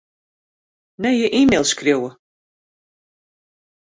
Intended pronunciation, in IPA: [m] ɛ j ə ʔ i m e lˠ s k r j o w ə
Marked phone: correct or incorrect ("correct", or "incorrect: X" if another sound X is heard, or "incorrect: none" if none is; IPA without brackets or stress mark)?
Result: incorrect: n